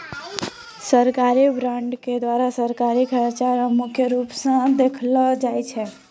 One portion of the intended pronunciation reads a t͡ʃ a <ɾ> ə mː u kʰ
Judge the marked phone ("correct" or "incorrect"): correct